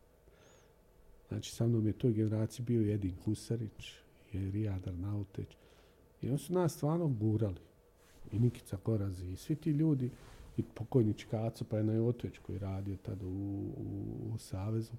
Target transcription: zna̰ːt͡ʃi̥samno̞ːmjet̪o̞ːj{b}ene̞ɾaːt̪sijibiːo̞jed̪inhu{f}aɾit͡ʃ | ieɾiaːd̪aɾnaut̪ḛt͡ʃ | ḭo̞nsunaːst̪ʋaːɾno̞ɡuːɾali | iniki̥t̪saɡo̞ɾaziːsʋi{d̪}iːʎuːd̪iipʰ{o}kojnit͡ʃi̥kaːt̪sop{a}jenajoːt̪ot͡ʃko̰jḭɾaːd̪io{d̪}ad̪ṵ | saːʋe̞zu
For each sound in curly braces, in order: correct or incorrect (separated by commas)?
incorrect, incorrect, incorrect, correct, correct, incorrect